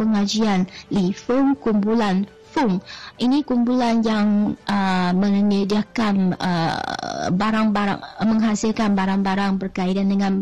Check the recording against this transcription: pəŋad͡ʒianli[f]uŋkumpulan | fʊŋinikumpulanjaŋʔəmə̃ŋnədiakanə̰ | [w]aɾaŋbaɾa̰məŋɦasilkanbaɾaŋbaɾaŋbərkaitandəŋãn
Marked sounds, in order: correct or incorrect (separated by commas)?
correct, incorrect